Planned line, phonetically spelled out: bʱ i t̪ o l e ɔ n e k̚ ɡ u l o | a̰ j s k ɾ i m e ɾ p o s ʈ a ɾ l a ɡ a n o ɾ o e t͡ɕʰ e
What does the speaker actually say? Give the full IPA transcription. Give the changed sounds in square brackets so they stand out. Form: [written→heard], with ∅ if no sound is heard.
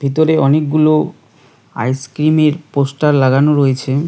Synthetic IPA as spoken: bʱ i t̪ o [l→ɾ] e ɔ n e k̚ ɡ u l o | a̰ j s k ɾ i m e ɾ p o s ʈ a ɾ l a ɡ a n o ɾ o e t͡ɕʰ e